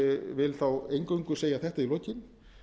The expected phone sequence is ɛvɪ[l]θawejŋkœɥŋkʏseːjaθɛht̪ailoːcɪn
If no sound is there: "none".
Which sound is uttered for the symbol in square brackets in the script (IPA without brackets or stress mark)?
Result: l